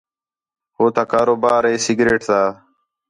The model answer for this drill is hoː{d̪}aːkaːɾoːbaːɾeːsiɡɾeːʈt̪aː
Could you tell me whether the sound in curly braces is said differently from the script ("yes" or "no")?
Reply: yes